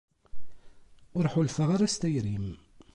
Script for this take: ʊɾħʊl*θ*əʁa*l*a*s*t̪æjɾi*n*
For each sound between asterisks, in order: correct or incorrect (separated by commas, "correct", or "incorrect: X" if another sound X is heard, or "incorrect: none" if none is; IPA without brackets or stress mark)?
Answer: incorrect: f, incorrect: ɾ, correct, incorrect: m